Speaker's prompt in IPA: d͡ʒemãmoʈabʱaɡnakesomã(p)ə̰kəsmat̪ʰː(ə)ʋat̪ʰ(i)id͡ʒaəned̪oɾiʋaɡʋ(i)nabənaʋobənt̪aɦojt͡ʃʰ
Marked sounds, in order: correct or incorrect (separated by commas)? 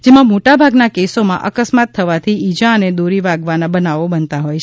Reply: incorrect, correct, correct, incorrect